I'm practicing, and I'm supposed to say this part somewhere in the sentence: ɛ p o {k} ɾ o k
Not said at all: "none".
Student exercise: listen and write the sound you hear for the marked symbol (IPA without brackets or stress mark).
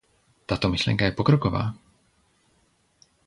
k